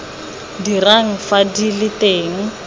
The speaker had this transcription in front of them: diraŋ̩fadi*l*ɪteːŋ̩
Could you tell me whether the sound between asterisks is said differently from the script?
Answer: no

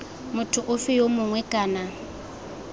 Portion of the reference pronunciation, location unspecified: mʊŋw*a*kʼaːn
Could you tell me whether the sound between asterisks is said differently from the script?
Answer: yes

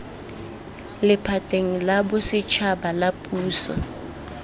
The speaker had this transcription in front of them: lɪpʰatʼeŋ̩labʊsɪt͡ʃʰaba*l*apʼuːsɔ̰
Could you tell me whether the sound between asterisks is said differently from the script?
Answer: no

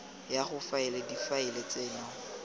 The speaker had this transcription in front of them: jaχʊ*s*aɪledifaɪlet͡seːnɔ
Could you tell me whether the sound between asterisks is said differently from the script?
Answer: yes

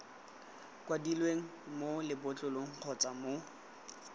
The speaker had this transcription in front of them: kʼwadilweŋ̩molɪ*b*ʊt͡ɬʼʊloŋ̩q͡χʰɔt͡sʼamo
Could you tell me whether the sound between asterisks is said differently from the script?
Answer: no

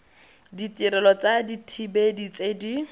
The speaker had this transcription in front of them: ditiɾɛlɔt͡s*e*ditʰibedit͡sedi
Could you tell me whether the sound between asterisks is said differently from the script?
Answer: yes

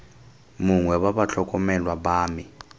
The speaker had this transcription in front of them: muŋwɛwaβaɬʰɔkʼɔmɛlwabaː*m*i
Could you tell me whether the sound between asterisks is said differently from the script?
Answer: no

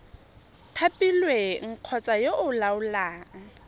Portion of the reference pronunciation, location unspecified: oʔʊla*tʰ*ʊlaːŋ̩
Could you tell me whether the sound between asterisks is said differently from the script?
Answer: yes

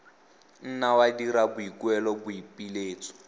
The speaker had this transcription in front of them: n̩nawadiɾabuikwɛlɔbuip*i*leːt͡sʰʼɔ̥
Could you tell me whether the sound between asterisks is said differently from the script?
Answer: no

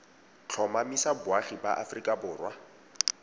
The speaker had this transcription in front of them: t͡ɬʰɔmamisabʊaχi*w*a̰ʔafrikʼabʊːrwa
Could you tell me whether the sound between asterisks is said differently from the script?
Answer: yes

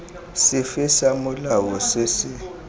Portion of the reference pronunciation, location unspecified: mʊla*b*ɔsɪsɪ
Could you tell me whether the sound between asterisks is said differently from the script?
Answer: yes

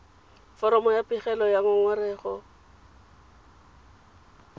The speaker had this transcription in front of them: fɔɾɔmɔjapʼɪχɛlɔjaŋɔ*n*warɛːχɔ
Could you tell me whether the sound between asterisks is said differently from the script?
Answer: yes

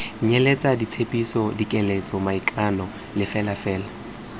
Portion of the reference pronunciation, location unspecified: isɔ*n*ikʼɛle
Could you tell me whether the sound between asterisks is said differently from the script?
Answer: yes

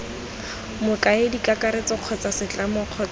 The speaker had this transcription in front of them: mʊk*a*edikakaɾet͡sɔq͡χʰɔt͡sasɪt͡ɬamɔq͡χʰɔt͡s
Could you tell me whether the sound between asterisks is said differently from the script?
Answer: no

